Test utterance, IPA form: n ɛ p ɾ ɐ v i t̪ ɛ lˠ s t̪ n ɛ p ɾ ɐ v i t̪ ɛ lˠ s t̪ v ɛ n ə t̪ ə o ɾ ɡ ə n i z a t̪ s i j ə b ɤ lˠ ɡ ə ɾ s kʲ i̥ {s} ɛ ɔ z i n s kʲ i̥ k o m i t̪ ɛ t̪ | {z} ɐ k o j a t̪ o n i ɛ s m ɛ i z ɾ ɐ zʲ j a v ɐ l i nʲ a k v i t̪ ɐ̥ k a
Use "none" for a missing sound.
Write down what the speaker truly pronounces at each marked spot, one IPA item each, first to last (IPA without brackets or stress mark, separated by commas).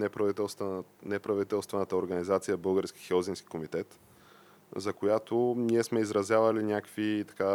x, z